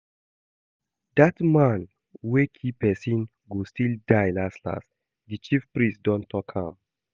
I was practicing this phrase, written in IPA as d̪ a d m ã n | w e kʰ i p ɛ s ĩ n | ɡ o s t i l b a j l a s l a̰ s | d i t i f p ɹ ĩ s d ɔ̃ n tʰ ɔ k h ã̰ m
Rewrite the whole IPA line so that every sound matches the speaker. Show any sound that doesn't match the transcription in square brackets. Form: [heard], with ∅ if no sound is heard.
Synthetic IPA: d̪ a [t] m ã n | w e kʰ i p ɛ s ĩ n | ɡ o s t i l [d] a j l a s l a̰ s | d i [t͡ʃ] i f p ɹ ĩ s d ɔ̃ n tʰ ɔ k h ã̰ m